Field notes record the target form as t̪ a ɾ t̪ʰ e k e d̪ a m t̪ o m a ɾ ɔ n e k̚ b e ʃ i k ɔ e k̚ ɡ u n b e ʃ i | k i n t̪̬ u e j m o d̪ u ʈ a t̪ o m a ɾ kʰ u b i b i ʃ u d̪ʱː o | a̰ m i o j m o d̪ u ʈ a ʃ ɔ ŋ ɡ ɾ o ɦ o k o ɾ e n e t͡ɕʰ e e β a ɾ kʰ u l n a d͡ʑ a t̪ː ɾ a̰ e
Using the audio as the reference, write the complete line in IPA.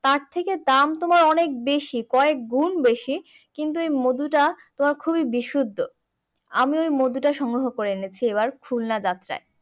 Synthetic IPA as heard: t̪ a ɾ t̪ʰ e k e d̪ a m t̪ o m a ɾ ɔ n e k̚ b e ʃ i k ɔ e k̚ ɡ u n b e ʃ i | k i n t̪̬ u e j m o d̪ u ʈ a t̪ o m a ɾ kʰ u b i b i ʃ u d̪ʱː o | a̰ m i o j m o d̪ u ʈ a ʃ ɔ ŋ ɡ ɾ o ɦ o k o ɾ e n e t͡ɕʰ i e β a ɾ kʰ u l n a d͡ʑ a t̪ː ɾ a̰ e